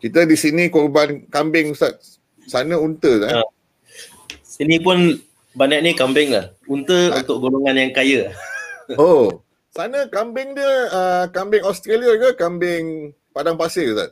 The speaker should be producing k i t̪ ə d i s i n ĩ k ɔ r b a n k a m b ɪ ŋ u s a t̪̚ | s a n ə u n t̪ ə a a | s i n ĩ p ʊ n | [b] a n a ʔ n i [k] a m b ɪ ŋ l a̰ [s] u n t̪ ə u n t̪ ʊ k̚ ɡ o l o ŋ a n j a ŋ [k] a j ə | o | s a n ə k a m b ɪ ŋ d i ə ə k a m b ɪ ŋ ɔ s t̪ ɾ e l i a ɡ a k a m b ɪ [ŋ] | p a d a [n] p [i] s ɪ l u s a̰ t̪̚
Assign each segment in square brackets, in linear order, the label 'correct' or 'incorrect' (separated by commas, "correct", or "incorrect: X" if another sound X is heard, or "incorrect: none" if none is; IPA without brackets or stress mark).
correct, correct, incorrect: h, correct, correct, incorrect: ŋ, incorrect: a